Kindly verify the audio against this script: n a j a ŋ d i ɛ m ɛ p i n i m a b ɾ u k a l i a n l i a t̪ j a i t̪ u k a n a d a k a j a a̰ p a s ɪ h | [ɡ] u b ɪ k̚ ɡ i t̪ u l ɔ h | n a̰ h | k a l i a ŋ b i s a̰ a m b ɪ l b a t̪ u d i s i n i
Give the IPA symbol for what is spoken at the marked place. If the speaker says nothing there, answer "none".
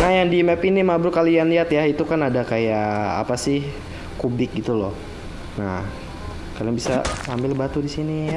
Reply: k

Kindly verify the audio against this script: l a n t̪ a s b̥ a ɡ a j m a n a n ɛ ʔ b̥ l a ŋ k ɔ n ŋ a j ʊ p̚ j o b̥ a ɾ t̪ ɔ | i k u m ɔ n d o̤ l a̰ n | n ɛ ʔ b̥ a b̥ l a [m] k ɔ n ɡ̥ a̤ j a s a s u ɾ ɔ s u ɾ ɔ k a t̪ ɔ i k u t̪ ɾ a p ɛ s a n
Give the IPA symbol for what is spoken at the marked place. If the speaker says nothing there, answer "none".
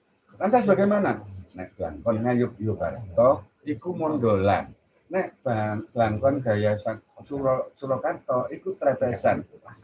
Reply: ŋ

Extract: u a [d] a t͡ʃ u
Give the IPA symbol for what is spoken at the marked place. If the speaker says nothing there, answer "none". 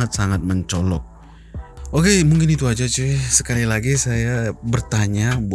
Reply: d͡ʒ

